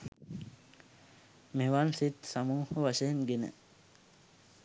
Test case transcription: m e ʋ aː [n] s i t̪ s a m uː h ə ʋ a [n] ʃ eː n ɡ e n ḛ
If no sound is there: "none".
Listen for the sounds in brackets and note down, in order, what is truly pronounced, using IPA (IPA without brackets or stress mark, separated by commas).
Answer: n, none